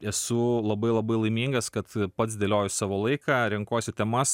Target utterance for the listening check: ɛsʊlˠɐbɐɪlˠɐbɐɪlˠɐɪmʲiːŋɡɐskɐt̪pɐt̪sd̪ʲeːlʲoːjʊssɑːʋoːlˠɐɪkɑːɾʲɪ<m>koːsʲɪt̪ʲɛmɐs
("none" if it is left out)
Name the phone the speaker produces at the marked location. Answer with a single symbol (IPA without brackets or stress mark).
ŋ